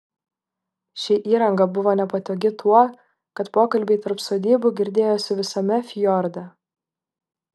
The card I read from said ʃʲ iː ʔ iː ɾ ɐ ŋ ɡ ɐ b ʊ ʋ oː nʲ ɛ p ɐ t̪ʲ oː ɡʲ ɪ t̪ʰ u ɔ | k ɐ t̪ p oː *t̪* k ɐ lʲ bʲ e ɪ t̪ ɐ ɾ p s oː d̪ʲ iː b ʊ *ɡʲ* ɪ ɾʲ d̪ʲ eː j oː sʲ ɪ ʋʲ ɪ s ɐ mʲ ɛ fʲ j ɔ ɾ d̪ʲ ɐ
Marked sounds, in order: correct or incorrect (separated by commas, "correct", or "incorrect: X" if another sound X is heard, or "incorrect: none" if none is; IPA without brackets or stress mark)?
incorrect: none, correct